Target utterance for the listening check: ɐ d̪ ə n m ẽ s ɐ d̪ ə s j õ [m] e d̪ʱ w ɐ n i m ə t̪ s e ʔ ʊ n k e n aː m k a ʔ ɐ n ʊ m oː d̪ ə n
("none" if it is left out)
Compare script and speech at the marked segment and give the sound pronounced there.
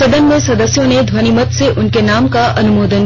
n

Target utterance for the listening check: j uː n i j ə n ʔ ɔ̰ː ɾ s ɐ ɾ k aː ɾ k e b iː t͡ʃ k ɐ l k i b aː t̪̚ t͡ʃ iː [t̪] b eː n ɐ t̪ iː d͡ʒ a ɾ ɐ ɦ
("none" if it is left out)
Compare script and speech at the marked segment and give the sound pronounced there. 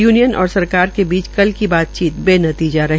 t̪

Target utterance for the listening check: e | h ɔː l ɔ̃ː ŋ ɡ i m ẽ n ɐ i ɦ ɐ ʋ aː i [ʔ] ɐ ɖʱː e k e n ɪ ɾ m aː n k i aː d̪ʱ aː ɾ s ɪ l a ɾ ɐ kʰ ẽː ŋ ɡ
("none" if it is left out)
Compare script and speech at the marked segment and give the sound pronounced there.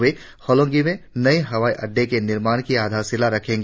ʔ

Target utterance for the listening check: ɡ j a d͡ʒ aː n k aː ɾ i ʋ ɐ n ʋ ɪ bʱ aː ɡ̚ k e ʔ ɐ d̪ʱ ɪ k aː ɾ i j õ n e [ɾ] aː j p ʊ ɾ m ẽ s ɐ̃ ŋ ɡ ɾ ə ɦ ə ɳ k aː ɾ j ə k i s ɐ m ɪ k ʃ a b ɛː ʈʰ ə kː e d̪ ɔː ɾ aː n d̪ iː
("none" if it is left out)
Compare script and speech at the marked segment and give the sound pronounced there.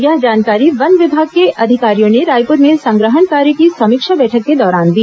ɾ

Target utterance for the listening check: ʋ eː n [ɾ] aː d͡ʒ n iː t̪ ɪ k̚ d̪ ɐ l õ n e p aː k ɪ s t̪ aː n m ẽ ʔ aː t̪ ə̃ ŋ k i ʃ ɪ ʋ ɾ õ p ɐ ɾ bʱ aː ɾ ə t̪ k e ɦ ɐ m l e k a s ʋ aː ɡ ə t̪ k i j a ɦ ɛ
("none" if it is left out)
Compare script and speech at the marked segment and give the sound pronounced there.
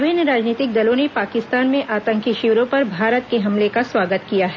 ɾ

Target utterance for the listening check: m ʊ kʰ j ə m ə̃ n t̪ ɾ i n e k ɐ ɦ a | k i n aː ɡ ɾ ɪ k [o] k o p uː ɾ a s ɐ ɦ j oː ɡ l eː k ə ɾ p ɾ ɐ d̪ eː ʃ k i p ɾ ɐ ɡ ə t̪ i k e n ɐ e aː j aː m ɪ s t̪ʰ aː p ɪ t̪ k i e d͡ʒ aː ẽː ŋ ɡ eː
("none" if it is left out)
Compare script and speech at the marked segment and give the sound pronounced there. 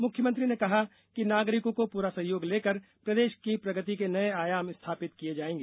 õ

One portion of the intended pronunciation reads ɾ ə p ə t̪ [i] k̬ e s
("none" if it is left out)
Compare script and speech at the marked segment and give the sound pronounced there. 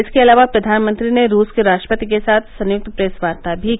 i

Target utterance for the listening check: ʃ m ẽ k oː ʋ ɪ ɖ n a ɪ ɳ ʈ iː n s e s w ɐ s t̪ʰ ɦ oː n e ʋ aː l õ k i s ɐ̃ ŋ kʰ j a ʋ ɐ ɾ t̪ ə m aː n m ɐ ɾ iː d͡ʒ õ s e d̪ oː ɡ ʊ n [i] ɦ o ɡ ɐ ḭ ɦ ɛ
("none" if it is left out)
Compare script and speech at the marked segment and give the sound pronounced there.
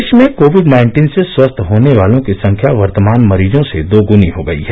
i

